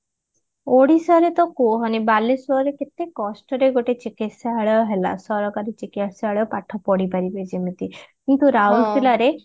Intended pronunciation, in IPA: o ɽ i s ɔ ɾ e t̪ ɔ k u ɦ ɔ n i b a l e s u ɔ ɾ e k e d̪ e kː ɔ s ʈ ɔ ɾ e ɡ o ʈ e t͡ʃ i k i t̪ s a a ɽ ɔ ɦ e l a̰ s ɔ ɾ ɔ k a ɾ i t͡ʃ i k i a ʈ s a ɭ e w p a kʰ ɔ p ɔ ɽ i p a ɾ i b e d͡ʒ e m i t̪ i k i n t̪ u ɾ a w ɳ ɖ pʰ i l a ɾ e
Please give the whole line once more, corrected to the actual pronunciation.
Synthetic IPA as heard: o ɽ i s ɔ ɾ e t̪ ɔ k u ɦ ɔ n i b a l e s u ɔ ɾ e k e t̪ e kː ɔ s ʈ ɔ ɾ e ɡ o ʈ e t͡ʃ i k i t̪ s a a ɭ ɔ ɦ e l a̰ s ɔ ɾ ɔ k a ɾ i t͡ʃ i k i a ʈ s a ɭ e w p a ʈʰ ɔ p ɔ ɽ i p a ɾ i b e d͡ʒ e m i t̪ i k i n t̪ u ɾ a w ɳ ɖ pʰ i l a ɾ e